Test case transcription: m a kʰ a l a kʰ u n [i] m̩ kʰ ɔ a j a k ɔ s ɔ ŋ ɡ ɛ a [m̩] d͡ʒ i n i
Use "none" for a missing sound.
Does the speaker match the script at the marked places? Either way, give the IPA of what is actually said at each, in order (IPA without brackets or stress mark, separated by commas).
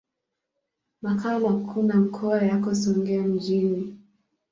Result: a, m̩